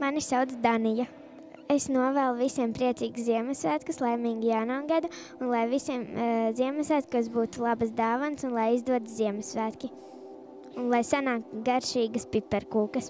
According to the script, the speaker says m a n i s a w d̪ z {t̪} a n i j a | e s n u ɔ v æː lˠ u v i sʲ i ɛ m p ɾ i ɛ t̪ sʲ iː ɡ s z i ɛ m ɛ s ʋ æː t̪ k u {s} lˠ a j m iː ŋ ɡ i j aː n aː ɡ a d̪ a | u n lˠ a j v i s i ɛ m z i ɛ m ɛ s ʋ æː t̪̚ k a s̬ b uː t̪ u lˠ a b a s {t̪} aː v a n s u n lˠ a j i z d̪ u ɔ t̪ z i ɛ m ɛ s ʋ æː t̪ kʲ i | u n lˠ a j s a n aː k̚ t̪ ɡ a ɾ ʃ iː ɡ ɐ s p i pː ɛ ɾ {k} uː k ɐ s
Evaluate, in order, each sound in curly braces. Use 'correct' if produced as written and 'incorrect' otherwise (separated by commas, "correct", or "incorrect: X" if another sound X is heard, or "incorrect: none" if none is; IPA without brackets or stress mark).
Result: incorrect: d̪, correct, incorrect: d̪, correct